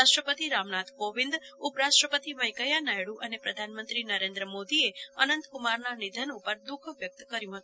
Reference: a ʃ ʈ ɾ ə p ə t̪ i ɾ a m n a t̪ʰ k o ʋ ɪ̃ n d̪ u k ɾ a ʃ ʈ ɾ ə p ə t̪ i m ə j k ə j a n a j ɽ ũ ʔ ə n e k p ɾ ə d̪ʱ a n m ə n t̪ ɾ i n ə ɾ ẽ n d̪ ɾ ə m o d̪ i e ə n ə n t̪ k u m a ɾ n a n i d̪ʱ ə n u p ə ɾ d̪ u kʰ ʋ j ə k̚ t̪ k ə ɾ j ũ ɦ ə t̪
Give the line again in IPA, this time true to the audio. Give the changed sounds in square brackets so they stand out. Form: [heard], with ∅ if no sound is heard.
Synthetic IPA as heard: a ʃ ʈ ɾ ə p ə t̪ i ɾ a m n a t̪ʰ k o ʋ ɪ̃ n d̪ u [p] ɾ a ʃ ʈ ɾ ə p ə t̪ i m ə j k ə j a n a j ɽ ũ ʔ ə n e [∅] p ɾ ə d̪ʱ a n m ə n t̪ ɾ i n ə ɾ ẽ n d̪ ɾ ə m o d̪ i e ə n ə n t̪ k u m a ɾ n a n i d̪ʱ ə n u p ə ɾ d̪ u kʰ ʋ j ə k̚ t̪ k ə ɾ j ũ ɦ ə t̪